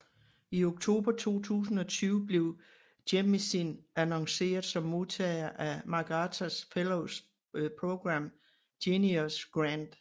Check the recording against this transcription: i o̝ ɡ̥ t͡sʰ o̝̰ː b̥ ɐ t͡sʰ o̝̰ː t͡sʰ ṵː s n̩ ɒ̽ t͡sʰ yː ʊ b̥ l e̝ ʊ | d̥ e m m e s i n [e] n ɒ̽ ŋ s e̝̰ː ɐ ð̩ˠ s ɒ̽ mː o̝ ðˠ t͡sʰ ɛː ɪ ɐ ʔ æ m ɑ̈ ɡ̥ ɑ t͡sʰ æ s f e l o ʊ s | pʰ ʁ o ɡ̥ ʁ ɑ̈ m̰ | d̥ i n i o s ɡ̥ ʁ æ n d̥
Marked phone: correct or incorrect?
incorrect